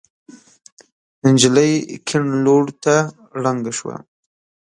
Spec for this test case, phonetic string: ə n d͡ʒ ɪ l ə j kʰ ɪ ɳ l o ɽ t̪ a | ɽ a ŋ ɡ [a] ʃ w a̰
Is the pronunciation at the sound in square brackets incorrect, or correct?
correct